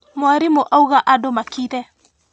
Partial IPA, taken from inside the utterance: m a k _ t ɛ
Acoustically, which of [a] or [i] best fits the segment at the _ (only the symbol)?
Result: i